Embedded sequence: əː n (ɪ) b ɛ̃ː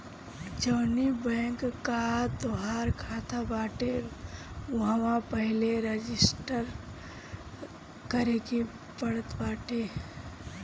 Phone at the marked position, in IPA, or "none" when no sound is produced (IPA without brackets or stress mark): i